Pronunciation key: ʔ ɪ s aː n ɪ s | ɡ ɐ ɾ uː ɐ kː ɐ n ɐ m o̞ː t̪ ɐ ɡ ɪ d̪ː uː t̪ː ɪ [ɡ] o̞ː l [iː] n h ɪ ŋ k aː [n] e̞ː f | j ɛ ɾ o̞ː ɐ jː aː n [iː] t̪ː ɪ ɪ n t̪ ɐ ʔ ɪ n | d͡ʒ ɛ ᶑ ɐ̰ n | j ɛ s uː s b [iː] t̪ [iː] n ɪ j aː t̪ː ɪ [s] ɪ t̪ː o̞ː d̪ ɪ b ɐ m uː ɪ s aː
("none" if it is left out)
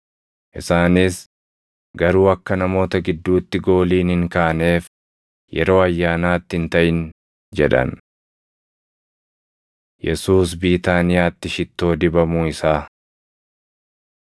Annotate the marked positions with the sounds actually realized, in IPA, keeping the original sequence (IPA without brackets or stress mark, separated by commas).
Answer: ɡ, iː, n, aː, iː, aː, ʃ